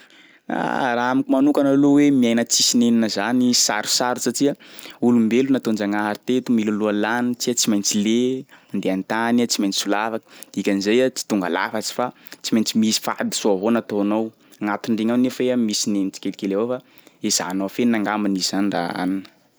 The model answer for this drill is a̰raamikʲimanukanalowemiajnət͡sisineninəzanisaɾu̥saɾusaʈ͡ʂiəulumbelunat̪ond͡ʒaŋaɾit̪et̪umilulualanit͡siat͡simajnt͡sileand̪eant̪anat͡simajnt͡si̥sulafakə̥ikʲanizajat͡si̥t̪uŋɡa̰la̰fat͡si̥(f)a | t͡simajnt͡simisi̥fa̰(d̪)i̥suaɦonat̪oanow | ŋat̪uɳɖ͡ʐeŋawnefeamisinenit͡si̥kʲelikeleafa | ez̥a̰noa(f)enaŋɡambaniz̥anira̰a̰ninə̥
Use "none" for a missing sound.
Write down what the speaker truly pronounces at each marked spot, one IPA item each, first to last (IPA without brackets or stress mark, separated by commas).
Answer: f, d̪, f